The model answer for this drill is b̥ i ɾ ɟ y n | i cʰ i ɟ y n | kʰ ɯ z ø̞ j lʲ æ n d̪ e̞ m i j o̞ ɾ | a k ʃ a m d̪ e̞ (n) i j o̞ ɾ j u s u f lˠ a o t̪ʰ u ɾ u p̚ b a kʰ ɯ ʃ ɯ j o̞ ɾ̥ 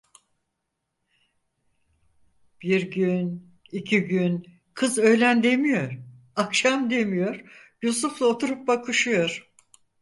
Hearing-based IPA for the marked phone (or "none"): m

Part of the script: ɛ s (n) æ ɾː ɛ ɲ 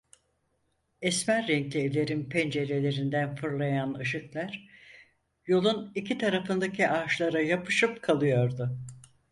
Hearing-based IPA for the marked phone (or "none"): m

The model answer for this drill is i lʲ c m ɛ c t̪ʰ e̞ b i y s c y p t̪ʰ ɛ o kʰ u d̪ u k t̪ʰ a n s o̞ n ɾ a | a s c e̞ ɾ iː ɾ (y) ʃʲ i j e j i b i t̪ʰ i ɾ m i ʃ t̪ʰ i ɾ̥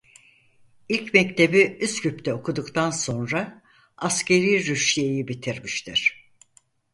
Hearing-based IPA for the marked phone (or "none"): y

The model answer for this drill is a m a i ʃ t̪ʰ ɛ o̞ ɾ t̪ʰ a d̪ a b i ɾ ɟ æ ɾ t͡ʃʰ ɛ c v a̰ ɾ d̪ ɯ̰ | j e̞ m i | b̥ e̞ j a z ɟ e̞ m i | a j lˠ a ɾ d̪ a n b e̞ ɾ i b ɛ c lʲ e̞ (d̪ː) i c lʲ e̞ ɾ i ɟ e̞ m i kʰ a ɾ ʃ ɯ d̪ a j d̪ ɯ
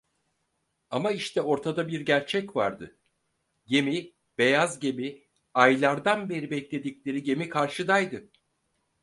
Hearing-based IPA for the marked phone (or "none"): d̪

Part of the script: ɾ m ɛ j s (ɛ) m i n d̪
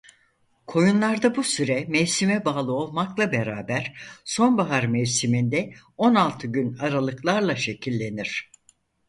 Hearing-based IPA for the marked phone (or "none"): i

